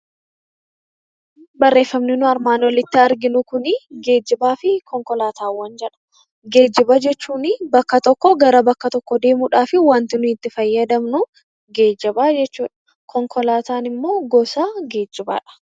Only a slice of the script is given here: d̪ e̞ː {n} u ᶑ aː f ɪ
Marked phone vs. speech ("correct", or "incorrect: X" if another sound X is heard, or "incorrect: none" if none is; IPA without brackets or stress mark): incorrect: m